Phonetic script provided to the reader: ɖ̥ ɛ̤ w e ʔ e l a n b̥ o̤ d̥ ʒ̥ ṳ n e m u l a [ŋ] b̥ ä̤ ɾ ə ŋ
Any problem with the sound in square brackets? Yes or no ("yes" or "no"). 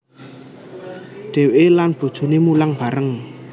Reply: no